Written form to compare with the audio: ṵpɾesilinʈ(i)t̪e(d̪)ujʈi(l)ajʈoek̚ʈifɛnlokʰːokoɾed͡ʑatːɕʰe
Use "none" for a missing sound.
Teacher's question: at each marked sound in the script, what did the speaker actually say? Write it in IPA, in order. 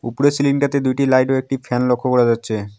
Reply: a, d̪, l

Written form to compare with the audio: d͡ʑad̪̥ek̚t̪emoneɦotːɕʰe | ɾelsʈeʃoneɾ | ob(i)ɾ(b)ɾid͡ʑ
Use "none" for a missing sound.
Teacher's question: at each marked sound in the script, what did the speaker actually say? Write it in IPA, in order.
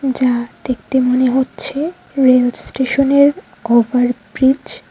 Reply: a, b

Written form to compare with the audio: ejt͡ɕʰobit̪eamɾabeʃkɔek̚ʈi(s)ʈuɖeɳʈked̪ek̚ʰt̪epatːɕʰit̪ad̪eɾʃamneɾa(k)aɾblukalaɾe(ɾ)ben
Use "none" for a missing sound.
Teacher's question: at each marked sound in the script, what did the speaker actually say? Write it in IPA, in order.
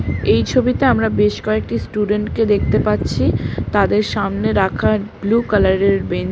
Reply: s, kʰ, ɾ

